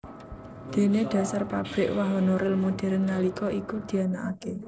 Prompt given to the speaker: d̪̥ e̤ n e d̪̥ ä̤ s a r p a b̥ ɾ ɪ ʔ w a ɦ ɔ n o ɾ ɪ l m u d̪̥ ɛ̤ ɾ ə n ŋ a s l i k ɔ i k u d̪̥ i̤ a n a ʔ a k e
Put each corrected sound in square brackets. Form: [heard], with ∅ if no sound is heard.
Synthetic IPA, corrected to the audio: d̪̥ e̤ n e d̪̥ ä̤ s a r p a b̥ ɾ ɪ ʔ w a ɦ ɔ n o ɾ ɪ l m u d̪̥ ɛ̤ ɾ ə n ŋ a [∅] l i k ɔ i k u d̪̥ i̤ a n a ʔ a k e